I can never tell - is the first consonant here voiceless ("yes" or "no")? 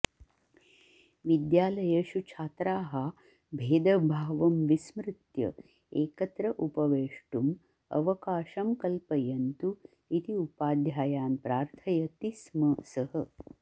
no